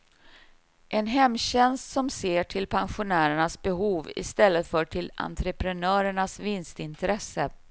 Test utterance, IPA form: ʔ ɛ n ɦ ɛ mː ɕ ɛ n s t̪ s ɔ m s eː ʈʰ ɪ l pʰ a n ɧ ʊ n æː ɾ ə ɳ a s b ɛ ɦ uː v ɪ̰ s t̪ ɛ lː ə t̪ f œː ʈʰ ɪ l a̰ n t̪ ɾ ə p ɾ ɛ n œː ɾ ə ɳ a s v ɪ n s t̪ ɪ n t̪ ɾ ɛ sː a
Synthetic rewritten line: ʔ ɛ n ɦ ɛ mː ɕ ɛ n s t̪ s ɔ m s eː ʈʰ ɪ l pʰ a n ɧ ʊ n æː ɾ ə ɳ a s b ɛ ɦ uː v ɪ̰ s t̪ ɛ lː ə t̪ f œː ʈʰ ɪ l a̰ n t̪ ɾ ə p ɾ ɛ n œː ɾ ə ɳ a s v ɪ n s t̪ ɪ n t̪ ɾ ɛ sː ə